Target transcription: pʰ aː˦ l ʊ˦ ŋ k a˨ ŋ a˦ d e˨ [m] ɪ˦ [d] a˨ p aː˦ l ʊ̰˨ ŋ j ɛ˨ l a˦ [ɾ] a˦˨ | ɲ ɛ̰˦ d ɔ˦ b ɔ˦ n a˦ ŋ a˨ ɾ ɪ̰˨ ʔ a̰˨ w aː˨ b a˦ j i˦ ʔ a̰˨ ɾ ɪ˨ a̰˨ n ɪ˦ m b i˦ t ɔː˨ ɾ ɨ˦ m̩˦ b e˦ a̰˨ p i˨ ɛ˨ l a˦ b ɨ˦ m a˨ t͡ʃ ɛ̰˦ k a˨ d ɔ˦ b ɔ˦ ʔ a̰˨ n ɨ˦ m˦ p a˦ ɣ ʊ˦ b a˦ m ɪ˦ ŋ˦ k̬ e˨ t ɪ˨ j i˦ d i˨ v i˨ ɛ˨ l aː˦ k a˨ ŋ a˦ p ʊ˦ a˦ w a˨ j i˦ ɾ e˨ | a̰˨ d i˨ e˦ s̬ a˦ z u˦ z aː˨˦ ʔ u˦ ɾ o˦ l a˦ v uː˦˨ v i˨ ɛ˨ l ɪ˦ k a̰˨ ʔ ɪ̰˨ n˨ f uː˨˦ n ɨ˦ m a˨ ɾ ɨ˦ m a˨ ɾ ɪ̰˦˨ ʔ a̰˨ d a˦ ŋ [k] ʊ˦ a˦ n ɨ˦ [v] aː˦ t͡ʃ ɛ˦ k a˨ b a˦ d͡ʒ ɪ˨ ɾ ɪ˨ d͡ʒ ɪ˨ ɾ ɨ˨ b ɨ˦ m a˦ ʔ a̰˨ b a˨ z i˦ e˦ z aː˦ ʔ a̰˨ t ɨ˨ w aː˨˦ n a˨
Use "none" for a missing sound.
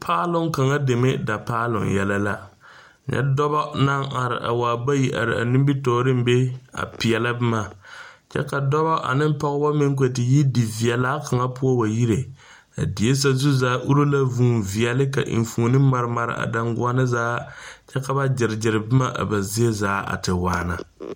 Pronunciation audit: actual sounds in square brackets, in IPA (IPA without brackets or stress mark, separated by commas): m, d, l, ɡ, z